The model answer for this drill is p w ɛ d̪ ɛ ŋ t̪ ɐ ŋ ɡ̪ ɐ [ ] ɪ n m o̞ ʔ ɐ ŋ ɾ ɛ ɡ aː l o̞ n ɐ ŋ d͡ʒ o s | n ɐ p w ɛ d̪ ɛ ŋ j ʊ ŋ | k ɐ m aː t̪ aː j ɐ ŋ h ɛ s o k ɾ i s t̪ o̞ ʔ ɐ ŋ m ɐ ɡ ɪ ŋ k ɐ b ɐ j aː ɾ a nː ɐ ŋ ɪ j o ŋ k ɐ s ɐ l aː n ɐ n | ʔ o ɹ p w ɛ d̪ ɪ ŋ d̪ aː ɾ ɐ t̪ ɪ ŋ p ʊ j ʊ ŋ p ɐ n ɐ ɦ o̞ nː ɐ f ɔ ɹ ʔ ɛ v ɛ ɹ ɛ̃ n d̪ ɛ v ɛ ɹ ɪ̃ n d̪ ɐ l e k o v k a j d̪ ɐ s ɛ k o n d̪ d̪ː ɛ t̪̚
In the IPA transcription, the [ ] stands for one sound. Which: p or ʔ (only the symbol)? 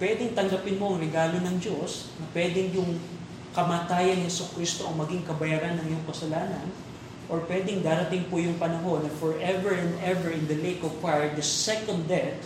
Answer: p